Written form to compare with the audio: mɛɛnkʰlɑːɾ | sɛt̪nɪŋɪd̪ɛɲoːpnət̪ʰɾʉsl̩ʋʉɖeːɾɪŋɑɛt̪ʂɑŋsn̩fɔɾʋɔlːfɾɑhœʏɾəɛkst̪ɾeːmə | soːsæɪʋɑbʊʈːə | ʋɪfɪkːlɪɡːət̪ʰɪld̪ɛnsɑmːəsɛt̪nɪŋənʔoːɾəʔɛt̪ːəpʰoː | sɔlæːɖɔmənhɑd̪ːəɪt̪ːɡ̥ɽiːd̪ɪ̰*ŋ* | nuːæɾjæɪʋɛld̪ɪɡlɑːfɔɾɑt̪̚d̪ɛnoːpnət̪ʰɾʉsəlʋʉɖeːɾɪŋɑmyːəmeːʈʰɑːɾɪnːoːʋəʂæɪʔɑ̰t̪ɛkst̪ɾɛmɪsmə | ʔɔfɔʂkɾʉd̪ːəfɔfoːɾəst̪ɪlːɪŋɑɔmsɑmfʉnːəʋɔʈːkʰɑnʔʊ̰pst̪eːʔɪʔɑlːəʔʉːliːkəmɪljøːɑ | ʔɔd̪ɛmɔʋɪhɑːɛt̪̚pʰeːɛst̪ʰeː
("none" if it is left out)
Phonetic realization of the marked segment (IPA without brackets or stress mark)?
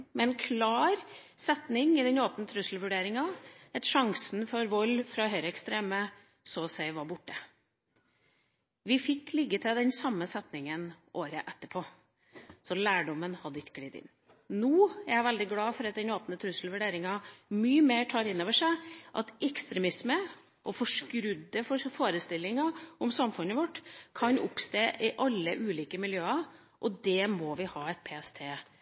n